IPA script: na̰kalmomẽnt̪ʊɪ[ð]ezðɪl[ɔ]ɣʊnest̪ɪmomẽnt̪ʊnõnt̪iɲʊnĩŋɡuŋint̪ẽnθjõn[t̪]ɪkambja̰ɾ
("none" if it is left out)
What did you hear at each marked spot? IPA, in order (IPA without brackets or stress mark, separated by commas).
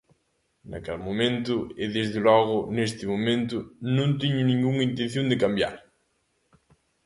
ð, ɔ, d̪